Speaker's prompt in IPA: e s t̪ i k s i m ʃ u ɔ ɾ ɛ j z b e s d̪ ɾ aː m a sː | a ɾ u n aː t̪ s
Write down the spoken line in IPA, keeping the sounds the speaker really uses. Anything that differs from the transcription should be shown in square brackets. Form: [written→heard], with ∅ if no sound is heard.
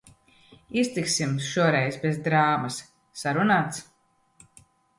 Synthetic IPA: [e→i] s t̪ i k s i m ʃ u ɔ ɾ ɛ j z b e [s→z] d̪ ɾ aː m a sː | a ɾ u n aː t̪ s